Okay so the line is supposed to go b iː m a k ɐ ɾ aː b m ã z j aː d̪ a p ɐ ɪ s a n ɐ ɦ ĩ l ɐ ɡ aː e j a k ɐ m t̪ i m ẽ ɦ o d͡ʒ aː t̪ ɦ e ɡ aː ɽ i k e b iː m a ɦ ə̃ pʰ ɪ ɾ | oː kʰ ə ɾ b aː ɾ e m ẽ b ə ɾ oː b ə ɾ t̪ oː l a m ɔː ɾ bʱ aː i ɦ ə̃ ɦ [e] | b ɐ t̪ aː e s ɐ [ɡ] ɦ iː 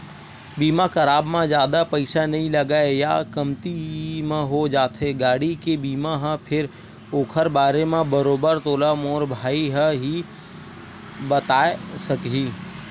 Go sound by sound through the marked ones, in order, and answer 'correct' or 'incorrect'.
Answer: incorrect: i, incorrect: k

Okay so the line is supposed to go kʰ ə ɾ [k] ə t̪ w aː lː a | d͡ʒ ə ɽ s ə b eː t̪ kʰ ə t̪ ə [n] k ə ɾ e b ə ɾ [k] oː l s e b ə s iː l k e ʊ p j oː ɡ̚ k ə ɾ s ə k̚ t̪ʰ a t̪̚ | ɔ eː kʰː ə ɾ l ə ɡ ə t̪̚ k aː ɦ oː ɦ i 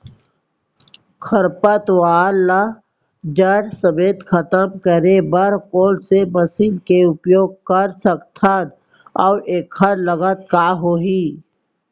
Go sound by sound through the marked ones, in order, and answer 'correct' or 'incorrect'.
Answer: incorrect: p, incorrect: m, correct

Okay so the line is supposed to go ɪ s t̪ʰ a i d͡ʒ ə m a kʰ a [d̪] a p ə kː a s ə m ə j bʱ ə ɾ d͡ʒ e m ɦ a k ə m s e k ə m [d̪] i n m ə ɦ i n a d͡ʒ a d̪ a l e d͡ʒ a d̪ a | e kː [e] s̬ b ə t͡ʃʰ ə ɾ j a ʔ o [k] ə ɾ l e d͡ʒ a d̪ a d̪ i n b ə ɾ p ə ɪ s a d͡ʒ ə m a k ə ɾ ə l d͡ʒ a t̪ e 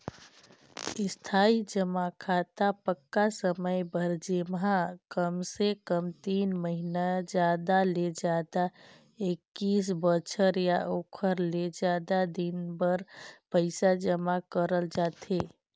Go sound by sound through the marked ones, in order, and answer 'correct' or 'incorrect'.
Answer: incorrect: t̪, incorrect: t̪, incorrect: i, incorrect: kʰ

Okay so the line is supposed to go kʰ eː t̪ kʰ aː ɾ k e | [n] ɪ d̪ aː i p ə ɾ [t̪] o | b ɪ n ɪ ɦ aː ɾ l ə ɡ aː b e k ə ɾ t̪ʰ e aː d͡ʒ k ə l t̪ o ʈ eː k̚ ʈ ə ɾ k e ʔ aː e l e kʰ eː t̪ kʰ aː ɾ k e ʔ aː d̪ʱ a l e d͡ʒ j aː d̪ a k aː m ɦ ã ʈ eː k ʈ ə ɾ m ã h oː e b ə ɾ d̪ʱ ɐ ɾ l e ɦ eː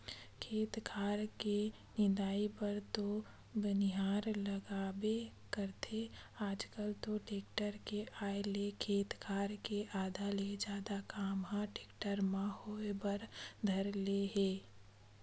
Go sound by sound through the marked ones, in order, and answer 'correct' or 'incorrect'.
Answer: correct, correct

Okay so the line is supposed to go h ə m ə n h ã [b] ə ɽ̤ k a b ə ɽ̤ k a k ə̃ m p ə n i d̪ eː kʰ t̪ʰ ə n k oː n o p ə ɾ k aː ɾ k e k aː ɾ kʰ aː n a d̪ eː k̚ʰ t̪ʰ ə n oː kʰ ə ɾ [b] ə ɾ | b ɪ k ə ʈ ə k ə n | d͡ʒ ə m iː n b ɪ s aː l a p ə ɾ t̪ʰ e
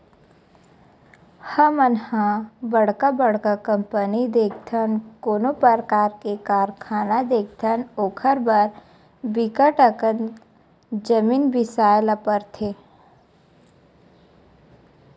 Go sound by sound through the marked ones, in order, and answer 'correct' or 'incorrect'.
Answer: correct, correct

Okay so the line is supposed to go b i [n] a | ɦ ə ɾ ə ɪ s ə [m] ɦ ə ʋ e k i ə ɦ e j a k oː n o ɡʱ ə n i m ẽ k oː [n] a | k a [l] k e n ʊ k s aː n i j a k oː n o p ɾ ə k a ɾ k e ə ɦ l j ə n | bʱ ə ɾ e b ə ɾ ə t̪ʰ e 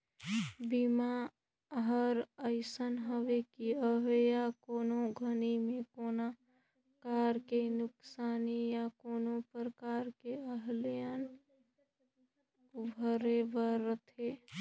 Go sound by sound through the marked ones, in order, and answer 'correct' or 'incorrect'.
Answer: incorrect: m, incorrect: n, correct, incorrect: ɾ

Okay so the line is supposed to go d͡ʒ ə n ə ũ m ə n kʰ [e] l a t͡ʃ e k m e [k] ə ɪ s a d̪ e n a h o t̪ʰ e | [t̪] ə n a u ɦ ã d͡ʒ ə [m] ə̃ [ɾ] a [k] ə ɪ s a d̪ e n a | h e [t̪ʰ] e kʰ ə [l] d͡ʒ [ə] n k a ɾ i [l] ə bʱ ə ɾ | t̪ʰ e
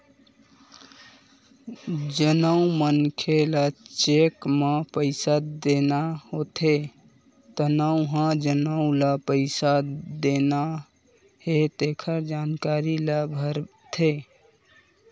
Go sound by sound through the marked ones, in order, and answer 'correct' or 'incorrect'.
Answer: correct, incorrect: p, correct, incorrect: n, incorrect: l, incorrect: p, incorrect: t̪, incorrect: ɾ, incorrect: a, correct

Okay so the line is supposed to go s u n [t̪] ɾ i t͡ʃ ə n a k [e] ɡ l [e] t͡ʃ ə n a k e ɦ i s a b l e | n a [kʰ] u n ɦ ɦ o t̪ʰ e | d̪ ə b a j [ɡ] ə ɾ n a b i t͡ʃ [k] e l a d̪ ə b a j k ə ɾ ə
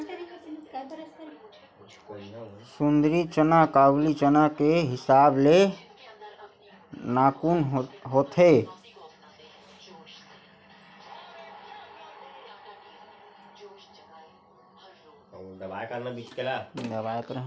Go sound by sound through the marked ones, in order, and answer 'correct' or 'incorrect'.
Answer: incorrect: d̪, incorrect: a, incorrect: i, incorrect: k, incorrect: k, correct

